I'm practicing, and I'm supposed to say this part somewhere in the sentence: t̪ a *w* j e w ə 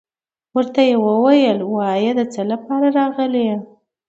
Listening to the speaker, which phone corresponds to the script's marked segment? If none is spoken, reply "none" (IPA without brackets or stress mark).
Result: none